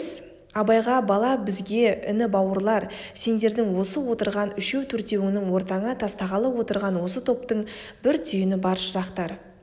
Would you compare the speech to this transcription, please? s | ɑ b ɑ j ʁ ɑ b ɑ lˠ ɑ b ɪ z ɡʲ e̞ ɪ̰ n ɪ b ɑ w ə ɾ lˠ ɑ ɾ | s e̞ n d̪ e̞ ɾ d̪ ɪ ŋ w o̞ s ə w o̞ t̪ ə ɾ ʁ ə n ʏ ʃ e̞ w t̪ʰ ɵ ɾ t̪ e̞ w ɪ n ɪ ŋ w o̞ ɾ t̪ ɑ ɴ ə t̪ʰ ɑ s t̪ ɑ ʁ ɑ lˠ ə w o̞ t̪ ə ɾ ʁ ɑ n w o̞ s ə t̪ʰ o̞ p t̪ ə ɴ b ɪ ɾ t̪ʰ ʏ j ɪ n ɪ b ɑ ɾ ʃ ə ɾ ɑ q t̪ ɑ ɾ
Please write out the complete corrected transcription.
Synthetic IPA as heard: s | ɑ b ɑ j ʁ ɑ b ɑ lˠ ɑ b ɪ z ɡʲ e̞ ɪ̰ n ɪ b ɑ w ə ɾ lˠ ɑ ɾ | s e̞ n d̪ e̞ ɾ d̪ ɪ ŋ w o̞ s ə w o̞ t̪ ə ɾ ʁ ɑ n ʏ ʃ e̞ w t̪ʰ ɵ ɾ t̪ e̞ w ɪ n ɪ ŋ w o̞ ɾ t̪ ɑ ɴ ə t̪ʰ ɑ s t̪ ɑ ʁ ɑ lˠ ə w o̞ t̪ ə ɾ ʁ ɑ n w o̞ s ə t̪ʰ o̞ p t̪ ə ɴ b ɪ ɾ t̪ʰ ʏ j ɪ n ɪ b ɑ ɾ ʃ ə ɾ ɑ q t̪ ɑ ɾ

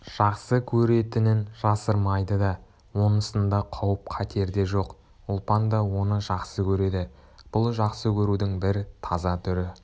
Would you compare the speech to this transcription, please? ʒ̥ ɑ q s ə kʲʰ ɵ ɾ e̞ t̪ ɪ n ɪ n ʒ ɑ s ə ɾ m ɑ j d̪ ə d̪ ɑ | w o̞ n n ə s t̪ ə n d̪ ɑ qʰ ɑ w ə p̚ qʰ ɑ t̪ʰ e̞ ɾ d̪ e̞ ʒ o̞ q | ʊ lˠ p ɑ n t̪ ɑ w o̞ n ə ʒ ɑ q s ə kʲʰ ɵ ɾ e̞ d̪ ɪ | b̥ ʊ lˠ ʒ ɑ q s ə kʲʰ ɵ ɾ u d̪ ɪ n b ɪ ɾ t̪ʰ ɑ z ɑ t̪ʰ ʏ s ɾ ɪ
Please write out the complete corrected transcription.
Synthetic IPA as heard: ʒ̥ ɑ q s ə kʲʰ ɵ ɾ e̞ t̪ ɪ n ɪ n ʒ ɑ s ə ɾ m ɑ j d̪ ə d̪ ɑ | w o̞ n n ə s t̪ ə n d̪ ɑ qʰ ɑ w ə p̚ qʰ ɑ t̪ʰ e̞ ɾ d̪ e̞ ʒ o̞ q | ʊ lˠ p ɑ n d̪ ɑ w o̞ n ə ʒ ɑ q s ə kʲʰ ɵ ɾ e̞ d̪ ɪ | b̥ ʊ lˠ ʒ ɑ q s ə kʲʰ ɵ ɾ u d̪ ɪ ŋ b ɪ ɾ t̪ʰ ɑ z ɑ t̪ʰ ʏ ɾ ɪ

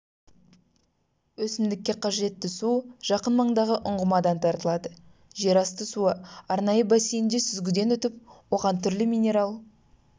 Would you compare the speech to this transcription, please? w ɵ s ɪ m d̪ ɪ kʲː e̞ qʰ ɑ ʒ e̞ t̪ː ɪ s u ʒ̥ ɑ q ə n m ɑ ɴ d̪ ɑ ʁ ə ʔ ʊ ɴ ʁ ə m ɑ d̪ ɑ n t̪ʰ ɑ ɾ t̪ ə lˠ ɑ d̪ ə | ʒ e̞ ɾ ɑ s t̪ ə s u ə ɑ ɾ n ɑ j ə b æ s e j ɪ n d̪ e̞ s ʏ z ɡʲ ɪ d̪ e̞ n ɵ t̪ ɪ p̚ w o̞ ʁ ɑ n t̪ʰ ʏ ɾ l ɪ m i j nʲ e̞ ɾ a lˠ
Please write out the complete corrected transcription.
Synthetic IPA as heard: w ɵ s ɪ m d̪ ɪ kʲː e̞ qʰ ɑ ʒ e̞ t̪ː ɪ s u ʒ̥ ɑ q ə n m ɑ ɴ d̪ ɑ ʁ ə ʔ ʊ ɴ ʁ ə m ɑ d̪ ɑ n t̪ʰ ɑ ɾ t̪ ə lˠ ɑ d̪ ə | ʒ e̞ ɾ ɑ s t̪ ə s u ə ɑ ɾ n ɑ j ə b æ s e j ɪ n d̪ e̞ s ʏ z ɡʲ ɪ d̪ e̞ n ɵ t̪ ɪ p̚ w o̞ ʁ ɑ n t̪ʰ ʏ ɾ l ɪ m i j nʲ e̞ ɾ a lˠ

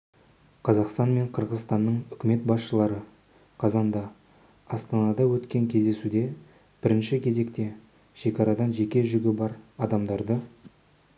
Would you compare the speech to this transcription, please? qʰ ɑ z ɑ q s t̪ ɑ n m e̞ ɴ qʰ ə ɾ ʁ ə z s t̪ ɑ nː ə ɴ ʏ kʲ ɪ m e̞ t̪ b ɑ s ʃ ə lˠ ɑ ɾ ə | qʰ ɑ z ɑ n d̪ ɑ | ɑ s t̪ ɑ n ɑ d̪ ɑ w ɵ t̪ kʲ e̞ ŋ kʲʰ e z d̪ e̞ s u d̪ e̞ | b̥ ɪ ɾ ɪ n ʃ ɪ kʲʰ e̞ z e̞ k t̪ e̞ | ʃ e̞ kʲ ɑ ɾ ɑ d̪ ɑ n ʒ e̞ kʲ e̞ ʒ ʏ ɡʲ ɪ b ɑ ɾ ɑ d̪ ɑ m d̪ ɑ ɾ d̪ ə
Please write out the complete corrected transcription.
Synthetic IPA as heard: qʰ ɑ z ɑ q s t̪ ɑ n m e̞ ɴ qʰ ə ɾ ʁ ə z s t̪ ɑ nː ə ɴ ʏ kʲ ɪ m e̞ t̪ b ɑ s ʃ ə lˠ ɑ ɾ ə | qʰ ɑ z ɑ n d̪ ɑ | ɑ s t̪ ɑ n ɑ d̪ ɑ w ɵ t̪ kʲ e̞ ŋ kʲʰ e z d̪ e̞ s u d̪ e̞ | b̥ ɪ ɾ ɪ n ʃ ɪ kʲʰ e̞ z e̞ k t̪ e̞ | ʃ e̞ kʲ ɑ ɾ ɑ d̪ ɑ n ʒ e̞ kʲ e̞ ʒ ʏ ɡʲ ɪ b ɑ ɾ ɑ d̪ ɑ m d̪ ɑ ɾ d̪ ə

